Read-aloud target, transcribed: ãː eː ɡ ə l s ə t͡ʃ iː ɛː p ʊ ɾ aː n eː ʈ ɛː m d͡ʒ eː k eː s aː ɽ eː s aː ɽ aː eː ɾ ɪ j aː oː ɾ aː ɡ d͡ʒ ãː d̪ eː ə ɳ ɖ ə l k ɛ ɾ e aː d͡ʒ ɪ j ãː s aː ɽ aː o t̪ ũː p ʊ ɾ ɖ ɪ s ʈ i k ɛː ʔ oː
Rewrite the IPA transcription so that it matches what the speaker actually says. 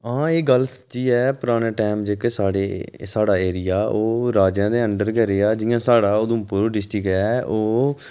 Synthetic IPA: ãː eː ɡ ə l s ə t͡ʃ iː ɛː p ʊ ɾ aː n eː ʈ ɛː m d͡ʒ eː k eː s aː ɽ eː s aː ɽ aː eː ɾ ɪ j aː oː ɾ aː d͡ʒ ãː d̪ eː ə ɳ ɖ ə ɾ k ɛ ɾ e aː d͡ʒ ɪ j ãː s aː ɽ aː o d̪ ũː p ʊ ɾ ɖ ɪ s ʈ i k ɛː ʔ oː